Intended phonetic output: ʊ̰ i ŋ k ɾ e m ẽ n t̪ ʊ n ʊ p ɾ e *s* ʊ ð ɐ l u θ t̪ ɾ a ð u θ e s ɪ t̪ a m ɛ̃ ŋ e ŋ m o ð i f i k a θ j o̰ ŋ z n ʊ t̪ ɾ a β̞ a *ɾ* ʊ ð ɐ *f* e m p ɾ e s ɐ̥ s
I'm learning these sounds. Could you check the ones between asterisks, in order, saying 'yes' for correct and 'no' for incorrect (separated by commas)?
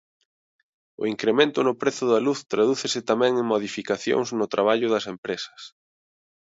no, no, no